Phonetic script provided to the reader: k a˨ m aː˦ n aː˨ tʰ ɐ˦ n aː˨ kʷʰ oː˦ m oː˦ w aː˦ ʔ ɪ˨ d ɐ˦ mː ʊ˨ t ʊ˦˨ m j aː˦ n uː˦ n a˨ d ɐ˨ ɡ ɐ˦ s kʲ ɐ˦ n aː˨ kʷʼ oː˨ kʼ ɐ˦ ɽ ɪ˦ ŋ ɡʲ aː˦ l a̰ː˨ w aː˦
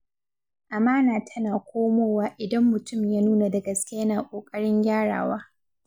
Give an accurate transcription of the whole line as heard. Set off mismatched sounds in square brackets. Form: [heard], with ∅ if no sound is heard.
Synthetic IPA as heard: [ʔ] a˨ m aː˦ n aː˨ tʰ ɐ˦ n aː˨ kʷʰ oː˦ m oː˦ w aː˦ ʔ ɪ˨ d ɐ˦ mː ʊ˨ t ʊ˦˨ m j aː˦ n uː˦ n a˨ d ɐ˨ ɡ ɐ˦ s kʲ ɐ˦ n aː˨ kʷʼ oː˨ kʼ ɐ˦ ɽ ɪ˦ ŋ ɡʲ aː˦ [ɽ] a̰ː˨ w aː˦